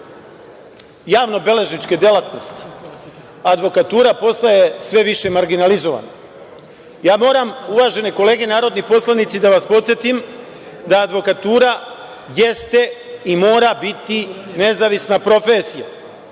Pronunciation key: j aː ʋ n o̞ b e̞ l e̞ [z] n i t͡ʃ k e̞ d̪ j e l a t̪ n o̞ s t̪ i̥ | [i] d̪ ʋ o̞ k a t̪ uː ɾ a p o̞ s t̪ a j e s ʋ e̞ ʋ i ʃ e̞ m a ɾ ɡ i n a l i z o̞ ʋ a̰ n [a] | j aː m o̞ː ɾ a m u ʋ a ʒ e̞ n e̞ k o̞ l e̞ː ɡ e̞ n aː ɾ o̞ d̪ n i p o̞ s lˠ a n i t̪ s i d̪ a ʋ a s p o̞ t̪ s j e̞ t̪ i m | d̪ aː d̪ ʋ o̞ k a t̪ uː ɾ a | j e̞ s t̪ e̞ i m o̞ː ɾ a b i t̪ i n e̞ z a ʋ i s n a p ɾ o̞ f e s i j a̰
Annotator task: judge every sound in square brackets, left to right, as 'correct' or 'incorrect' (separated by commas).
incorrect, incorrect, correct